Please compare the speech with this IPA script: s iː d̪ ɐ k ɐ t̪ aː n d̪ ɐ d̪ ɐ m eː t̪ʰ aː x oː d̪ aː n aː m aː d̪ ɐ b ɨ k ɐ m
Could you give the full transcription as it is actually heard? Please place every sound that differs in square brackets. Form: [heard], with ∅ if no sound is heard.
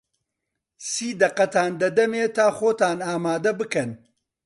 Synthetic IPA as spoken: s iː d̪ ɐ [q] ɐ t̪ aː n d̪ ɐ d̪ ɐ m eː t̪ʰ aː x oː [t̪] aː n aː m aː d̪ ɐ b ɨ k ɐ [n]